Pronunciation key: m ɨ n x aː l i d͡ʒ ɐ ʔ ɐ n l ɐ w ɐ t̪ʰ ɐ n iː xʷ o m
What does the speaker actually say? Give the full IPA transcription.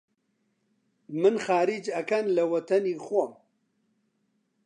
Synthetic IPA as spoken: m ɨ n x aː ɾ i d͡ʒ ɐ k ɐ n l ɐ w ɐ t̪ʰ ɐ n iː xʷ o m